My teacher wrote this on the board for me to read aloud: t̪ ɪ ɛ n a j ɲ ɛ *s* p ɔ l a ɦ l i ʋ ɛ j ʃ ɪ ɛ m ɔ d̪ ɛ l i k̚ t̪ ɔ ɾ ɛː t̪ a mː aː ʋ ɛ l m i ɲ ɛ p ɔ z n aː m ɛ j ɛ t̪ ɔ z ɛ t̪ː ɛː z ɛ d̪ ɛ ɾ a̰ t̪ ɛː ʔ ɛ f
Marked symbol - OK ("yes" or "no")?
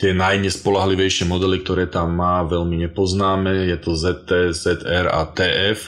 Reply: yes